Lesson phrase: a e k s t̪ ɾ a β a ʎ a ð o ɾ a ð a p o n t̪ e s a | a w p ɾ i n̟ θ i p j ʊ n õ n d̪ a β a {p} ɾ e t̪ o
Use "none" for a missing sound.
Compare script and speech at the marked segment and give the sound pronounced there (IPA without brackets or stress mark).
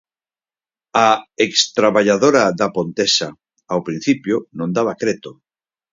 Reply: k